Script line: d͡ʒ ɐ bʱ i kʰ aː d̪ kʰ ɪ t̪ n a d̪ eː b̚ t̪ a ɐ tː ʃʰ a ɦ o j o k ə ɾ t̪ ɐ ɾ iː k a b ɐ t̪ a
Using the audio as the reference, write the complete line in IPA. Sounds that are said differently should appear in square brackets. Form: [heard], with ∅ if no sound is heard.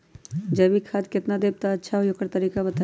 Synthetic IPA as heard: d͡ʒ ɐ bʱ i kʰ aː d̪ [k] ɪ t̪ n a d̪ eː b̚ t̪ a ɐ tː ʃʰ a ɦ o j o k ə ɾ t̪ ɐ ɾ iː k a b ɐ t̪ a